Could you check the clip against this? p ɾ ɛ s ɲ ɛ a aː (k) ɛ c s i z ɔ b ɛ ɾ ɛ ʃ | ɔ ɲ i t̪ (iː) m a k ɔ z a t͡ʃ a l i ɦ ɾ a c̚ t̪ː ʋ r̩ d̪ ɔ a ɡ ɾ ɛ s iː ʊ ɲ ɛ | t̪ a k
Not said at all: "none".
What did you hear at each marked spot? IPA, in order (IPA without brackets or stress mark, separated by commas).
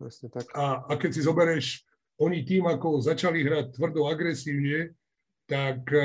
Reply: k, iː